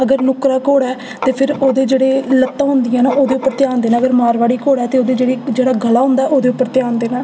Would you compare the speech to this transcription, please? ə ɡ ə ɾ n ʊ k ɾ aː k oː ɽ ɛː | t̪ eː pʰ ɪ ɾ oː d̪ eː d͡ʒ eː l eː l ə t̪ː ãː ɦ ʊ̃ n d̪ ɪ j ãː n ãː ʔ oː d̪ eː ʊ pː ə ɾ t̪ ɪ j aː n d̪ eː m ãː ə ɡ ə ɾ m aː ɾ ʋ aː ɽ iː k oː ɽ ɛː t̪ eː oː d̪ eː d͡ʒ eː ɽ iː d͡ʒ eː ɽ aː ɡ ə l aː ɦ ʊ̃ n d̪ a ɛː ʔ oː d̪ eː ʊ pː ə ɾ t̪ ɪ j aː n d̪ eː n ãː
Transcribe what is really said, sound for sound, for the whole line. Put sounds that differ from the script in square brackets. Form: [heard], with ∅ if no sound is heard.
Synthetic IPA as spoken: ə ɡ ə ɾ n ʊ k ɾ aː k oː ɽ ɛː | t̪ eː pʰ ɪ ɾ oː d̪ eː d͡ʒ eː [ɽ] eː l ə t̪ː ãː ɦ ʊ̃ n d̪ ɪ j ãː n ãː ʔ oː d̪ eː ʊ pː ə ɾ t̪ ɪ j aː n d̪ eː [n] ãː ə ɡ ə ɾ m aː ɾ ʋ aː ɽ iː k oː ɽ ɛː t̪ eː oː d̪ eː d͡ʒ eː ɽ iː d͡ʒ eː ɽ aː ɡ ə l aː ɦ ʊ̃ n d̪ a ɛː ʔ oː d̪ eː ʊ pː ə ɾ t̪ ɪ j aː n d̪ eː n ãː